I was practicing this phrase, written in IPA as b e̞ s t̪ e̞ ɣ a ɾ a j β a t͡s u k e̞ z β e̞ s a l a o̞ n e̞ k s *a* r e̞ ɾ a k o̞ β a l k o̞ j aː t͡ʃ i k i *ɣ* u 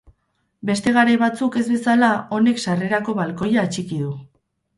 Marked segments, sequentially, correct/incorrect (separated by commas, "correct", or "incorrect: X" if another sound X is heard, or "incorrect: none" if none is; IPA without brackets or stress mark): correct, incorrect: ð